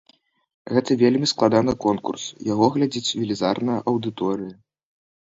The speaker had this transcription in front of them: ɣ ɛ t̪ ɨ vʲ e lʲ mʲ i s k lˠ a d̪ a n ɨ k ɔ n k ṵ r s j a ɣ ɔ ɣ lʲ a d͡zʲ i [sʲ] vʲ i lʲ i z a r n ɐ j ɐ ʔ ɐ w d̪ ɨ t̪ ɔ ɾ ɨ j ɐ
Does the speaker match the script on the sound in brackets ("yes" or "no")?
no